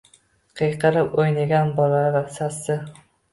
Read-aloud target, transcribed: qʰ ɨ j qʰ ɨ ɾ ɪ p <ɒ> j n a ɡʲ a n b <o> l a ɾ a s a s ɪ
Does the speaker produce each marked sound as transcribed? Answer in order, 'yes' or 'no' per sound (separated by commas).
no, no